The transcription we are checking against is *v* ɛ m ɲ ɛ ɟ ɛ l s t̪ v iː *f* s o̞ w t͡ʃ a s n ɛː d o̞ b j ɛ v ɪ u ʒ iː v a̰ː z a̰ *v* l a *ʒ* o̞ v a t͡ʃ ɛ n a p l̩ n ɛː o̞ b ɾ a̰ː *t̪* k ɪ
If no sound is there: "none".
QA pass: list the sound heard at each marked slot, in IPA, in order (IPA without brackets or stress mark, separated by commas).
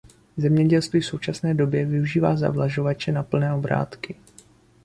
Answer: z, f, v, ʒ, t̪